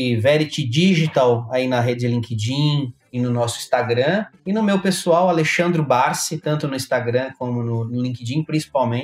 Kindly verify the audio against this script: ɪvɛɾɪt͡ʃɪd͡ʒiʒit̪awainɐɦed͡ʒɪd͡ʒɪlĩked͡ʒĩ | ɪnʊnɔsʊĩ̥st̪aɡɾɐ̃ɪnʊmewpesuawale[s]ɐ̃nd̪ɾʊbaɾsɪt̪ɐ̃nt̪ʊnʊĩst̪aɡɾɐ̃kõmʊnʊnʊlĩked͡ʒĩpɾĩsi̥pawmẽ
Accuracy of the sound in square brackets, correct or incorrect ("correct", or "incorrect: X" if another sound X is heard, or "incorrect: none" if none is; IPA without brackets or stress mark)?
incorrect: ʃ